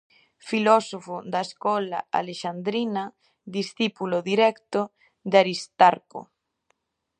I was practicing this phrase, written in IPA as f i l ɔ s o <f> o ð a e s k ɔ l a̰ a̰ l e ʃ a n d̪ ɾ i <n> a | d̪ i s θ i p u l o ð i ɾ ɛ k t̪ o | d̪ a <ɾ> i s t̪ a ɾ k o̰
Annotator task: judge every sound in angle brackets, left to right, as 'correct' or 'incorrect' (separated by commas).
correct, correct, correct